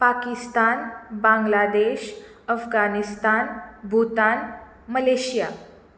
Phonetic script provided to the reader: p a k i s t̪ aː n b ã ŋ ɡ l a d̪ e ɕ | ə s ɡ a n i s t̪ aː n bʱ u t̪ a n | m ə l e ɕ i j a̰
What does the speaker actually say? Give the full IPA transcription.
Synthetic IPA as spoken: p a k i s t̪ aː n b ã ŋ ɡ l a d̪ e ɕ | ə f ɡ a n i s t̪ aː n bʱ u t̪ a n | m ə l e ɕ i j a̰